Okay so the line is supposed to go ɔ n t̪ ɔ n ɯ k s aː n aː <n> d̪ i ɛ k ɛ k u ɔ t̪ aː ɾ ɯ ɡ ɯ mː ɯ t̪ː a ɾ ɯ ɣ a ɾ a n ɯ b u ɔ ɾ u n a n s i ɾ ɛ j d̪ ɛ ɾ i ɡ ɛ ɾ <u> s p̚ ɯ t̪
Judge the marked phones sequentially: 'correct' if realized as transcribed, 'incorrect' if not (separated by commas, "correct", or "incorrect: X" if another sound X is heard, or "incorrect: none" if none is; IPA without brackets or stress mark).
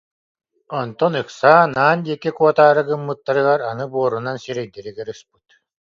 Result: correct, incorrect: ɯ